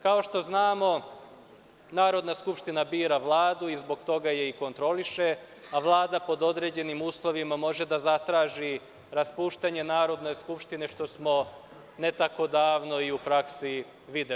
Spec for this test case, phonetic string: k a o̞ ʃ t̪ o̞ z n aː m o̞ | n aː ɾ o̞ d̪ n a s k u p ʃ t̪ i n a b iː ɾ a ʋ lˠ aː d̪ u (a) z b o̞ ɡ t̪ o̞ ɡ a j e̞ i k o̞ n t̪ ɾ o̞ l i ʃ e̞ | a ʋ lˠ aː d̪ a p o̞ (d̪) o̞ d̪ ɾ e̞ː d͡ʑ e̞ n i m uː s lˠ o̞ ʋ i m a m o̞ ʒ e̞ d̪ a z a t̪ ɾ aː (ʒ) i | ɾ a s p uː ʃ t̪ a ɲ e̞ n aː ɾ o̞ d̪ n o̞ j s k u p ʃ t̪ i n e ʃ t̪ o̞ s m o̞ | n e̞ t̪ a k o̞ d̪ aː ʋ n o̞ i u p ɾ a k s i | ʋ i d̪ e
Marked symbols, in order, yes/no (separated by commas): no, yes, yes